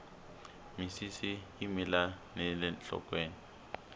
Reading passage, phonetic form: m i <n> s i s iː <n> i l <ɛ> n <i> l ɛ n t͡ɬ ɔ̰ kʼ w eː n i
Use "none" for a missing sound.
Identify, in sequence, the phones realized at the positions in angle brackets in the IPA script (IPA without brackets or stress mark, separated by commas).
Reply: none, m, a, ɛ